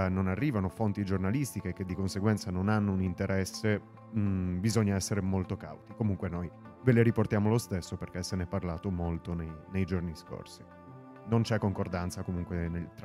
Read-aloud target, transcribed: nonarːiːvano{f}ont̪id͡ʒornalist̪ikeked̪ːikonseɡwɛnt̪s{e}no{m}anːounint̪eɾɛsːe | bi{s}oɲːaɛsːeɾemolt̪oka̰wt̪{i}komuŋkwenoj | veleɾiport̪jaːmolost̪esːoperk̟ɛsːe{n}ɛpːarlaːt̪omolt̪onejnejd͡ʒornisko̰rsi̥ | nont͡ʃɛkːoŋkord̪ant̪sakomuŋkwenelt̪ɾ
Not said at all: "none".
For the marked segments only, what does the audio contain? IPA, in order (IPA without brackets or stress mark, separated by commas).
f, a, n, z, i, n